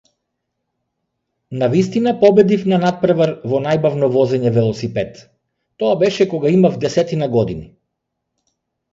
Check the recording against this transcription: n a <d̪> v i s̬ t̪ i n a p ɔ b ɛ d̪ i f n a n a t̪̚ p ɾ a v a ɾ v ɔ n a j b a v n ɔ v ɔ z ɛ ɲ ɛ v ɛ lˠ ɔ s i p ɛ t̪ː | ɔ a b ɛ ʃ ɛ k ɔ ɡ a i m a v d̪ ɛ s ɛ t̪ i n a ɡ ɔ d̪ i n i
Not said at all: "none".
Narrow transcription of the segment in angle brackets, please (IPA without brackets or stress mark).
none